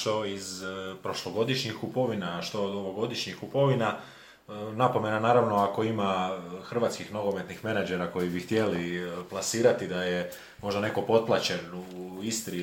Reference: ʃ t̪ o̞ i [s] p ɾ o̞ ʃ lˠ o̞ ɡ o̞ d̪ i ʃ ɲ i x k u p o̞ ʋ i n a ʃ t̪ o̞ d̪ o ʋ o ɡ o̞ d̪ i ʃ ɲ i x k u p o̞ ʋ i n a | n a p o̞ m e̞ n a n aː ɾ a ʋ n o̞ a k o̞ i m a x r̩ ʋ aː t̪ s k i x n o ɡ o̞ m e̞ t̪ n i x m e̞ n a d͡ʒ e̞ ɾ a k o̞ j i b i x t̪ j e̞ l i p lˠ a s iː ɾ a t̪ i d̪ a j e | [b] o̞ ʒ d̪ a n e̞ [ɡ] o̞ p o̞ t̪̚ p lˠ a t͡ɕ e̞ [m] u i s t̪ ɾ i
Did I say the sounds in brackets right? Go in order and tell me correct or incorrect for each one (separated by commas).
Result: incorrect, incorrect, incorrect, incorrect